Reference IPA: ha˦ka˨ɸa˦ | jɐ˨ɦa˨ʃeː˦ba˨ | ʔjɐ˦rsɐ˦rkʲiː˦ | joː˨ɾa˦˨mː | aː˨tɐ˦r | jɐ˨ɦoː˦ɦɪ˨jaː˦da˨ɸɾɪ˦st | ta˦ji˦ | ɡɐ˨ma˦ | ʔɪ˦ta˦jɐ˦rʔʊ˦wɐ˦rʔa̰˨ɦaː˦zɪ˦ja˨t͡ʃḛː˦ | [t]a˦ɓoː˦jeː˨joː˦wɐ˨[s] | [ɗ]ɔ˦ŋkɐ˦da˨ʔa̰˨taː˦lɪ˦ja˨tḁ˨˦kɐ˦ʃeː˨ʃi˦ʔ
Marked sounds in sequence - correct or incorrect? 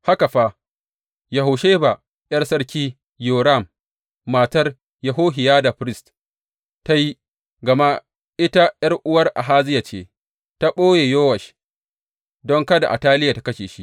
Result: correct, incorrect, incorrect

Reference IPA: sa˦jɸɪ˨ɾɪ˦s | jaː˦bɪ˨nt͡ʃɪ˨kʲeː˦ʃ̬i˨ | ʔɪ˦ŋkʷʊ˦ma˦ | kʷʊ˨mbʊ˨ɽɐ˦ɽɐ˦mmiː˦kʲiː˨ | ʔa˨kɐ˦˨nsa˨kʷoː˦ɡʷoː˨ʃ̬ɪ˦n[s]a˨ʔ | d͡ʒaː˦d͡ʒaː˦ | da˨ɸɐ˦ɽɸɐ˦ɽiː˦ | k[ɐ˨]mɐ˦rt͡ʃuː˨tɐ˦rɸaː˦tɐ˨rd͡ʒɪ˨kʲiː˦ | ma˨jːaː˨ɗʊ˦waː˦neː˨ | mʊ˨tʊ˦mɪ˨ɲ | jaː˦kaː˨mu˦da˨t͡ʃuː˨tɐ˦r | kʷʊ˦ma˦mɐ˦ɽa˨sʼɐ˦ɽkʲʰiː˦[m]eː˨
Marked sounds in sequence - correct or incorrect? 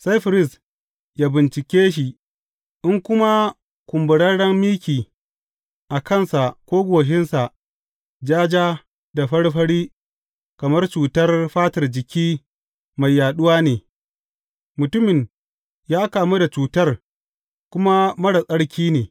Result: correct, correct, incorrect

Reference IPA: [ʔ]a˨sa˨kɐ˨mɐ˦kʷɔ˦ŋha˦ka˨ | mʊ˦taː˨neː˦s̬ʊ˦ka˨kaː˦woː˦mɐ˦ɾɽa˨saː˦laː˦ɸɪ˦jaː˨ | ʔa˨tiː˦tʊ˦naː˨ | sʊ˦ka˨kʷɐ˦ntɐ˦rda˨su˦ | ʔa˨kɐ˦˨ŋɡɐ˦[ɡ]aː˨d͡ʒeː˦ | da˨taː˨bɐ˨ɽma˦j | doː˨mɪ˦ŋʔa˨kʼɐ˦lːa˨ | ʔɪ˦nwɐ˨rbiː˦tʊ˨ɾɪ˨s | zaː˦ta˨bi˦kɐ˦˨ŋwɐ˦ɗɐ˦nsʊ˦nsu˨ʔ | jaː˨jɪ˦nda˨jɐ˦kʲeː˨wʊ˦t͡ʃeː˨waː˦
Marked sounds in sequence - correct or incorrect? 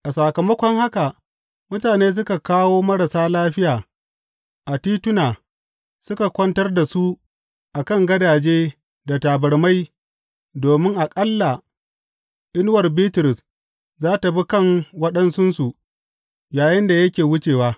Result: correct, incorrect

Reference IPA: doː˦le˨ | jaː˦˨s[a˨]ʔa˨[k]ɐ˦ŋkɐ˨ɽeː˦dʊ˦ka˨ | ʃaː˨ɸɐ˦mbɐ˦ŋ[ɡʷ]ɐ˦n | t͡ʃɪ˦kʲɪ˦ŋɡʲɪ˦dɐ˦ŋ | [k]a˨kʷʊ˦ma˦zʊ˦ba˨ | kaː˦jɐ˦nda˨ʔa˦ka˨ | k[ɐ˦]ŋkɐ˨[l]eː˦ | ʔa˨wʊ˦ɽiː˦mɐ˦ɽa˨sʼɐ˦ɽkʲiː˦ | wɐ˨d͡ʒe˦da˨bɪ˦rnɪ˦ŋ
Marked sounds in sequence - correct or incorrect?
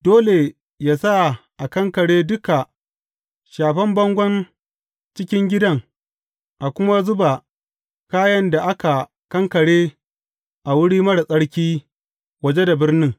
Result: incorrect, correct, correct, incorrect, correct, incorrect

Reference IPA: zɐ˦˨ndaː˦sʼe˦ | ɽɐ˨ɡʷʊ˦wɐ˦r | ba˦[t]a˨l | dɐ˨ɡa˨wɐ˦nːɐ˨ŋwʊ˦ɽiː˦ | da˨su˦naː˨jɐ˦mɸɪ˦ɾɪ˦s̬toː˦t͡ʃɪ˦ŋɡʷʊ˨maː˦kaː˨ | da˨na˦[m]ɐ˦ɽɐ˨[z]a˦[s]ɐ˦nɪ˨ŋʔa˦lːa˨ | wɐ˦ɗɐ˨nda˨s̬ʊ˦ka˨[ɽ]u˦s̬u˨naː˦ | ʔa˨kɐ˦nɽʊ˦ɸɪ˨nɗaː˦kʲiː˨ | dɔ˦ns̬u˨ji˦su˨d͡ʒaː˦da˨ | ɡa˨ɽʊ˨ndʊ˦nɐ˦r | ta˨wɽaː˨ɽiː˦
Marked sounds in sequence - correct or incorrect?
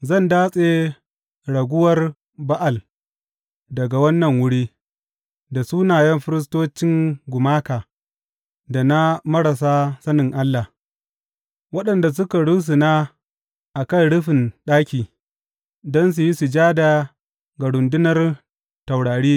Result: incorrect, correct, incorrect, correct, correct

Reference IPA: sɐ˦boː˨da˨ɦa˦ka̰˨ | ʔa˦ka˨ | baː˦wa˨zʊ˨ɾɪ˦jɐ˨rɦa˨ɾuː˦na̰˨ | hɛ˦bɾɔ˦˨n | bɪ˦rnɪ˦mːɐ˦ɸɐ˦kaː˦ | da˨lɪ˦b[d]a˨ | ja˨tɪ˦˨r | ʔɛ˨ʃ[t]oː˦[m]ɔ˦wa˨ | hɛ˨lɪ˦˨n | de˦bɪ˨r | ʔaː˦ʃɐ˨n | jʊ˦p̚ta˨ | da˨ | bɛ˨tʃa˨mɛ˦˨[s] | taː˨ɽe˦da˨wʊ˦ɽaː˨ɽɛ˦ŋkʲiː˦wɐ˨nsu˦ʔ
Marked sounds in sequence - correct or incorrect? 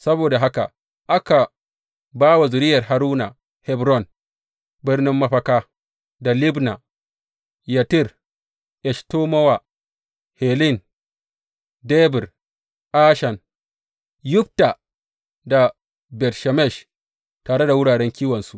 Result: incorrect, correct, correct, incorrect

